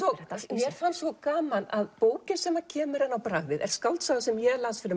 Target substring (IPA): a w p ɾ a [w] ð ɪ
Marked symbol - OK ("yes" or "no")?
no